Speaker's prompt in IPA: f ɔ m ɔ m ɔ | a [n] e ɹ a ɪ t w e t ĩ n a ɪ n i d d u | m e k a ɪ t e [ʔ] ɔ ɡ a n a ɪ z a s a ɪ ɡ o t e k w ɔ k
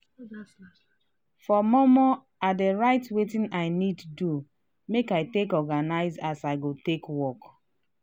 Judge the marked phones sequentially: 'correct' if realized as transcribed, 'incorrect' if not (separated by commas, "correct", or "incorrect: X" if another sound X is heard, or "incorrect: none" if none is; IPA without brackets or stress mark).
incorrect: d, incorrect: k